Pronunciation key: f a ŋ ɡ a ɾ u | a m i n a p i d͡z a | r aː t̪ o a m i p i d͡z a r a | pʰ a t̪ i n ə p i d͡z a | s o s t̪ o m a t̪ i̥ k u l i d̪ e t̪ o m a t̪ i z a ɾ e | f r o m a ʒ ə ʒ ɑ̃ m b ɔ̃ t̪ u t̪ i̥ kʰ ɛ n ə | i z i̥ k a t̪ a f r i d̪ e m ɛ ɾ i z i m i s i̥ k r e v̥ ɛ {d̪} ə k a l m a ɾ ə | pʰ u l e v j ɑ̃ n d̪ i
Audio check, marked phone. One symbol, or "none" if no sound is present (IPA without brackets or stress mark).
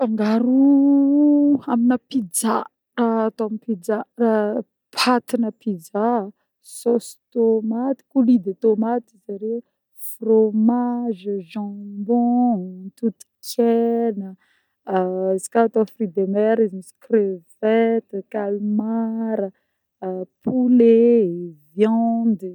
t̪